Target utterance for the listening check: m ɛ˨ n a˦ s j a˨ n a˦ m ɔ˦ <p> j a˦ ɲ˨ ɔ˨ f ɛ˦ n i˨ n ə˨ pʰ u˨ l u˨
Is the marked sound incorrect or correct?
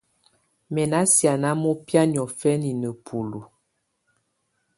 correct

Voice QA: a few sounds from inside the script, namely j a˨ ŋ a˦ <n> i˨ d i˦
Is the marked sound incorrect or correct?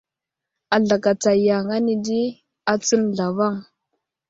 correct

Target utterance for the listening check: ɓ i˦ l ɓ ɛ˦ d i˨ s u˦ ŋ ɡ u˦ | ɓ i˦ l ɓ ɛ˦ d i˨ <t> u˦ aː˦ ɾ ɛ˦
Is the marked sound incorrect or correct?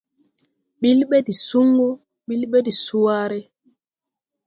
incorrect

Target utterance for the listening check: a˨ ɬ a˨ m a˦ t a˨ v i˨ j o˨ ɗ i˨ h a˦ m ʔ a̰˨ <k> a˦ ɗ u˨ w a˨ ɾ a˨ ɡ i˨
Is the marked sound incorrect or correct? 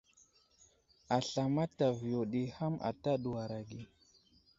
incorrect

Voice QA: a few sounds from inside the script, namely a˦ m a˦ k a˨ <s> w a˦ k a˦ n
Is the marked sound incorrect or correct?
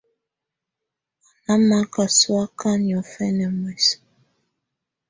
correct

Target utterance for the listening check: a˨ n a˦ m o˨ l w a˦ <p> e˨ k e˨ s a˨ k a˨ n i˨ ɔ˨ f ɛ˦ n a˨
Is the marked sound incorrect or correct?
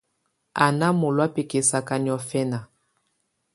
correct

